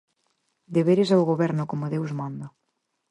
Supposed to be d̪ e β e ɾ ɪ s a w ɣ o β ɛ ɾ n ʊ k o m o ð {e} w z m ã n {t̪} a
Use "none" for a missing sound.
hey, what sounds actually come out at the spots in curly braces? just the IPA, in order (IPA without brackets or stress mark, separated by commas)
e, d̪